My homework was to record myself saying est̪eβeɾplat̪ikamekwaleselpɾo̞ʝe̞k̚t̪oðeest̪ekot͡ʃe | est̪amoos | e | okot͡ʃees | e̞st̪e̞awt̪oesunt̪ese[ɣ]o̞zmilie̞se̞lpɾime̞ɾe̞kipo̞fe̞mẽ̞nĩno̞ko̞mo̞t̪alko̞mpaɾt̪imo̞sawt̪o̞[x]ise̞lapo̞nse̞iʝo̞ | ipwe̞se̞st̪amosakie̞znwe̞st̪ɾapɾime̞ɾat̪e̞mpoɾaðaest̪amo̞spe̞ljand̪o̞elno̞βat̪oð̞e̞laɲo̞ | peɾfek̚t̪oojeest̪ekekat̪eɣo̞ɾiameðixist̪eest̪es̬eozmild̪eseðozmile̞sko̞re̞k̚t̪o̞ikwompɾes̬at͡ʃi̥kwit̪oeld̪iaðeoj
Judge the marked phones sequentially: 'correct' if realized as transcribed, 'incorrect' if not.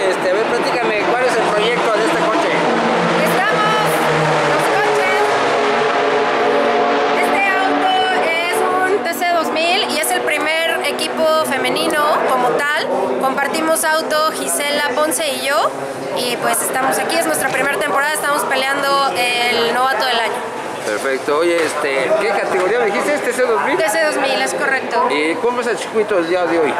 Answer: incorrect: ð, correct

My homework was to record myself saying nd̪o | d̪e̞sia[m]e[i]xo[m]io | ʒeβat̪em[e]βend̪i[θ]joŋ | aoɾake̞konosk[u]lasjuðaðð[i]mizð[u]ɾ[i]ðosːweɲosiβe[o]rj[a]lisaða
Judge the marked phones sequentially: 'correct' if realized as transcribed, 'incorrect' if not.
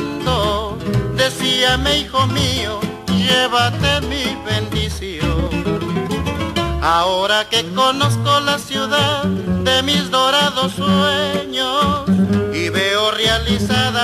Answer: correct, correct, correct, incorrect: i, incorrect: s, incorrect: o, incorrect: e, incorrect: o, incorrect: a, correct, correct

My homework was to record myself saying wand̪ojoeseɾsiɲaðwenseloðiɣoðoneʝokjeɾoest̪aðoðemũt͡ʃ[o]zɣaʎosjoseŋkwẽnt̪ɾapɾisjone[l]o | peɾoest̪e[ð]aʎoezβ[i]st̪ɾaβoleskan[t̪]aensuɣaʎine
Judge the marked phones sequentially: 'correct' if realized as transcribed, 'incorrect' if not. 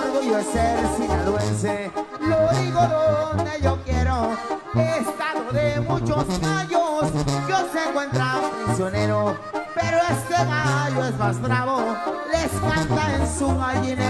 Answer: correct, incorrect: ɾ, incorrect: ɣ, incorrect: a, correct

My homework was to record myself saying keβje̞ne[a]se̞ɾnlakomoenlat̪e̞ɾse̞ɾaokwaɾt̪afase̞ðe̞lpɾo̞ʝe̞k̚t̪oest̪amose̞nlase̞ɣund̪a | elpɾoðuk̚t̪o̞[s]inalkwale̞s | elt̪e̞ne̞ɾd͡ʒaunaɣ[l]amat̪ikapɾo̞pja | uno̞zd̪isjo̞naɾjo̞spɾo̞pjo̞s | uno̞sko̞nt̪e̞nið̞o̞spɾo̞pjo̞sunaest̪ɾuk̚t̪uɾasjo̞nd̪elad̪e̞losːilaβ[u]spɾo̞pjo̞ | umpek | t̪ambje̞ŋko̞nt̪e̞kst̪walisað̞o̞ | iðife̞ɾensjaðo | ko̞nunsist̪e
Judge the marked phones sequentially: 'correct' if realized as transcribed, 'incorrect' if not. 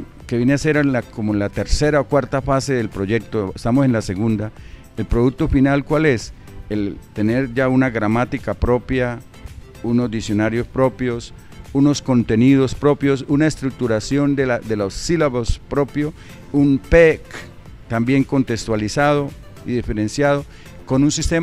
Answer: correct, incorrect: f, incorrect: ɾ, incorrect: o

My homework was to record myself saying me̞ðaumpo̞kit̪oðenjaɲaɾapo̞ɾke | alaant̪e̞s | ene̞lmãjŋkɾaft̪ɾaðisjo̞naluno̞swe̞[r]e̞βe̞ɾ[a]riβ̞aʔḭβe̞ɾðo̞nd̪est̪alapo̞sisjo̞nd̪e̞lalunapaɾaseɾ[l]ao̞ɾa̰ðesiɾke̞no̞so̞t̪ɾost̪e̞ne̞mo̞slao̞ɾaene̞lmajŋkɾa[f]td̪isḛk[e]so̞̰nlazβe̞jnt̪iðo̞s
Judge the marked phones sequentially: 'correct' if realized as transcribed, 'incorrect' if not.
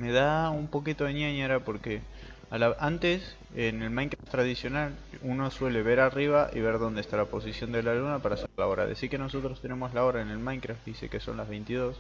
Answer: incorrect: l, correct, correct, correct, correct

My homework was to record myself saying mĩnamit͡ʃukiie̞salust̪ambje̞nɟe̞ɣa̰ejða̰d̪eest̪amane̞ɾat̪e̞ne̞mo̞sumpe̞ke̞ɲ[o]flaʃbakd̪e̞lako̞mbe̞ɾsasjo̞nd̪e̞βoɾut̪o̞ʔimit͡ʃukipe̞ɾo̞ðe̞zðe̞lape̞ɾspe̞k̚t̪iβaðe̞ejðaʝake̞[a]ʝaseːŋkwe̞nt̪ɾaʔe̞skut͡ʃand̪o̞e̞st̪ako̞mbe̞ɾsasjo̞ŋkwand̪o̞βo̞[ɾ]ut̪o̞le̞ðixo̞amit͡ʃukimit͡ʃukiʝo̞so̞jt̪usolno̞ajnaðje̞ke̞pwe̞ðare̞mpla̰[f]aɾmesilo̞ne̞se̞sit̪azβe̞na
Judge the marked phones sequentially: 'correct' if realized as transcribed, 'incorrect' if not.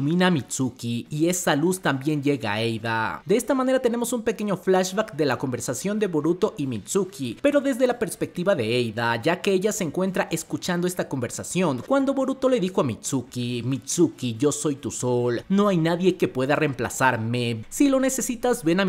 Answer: correct, incorrect: e, correct, incorrect: s

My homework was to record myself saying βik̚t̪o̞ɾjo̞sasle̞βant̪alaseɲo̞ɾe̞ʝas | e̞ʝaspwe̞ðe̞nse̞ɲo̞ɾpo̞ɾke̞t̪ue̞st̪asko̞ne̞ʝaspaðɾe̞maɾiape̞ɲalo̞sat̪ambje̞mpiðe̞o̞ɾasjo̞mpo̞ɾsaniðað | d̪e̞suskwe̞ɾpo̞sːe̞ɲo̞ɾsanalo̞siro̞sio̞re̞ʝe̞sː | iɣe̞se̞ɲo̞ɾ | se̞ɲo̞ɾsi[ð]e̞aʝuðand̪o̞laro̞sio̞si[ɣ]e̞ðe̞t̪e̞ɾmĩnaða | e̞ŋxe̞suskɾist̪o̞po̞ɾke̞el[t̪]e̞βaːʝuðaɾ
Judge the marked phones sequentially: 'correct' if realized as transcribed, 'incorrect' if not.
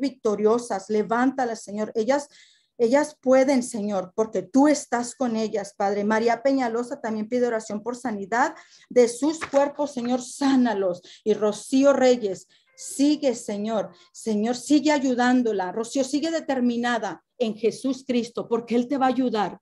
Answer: incorrect: ɣ, correct, correct

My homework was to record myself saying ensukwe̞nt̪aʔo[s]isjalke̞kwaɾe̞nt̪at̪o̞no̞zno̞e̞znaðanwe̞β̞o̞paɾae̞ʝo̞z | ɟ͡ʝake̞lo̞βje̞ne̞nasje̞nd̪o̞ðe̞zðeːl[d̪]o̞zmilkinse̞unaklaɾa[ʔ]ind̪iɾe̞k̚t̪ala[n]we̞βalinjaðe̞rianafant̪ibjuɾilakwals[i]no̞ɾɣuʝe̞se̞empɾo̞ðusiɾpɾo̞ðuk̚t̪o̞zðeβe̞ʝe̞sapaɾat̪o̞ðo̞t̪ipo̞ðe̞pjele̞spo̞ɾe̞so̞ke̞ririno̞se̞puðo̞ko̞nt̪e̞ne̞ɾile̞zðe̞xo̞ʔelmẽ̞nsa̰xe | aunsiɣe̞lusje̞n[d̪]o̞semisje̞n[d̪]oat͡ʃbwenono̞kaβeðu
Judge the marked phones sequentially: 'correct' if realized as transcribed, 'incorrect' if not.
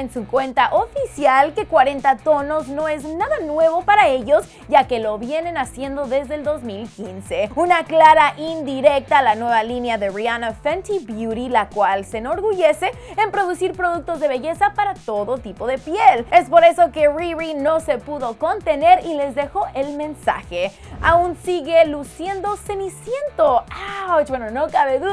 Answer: incorrect: f, correct, correct, correct, incorrect: e, correct, incorrect: t̪

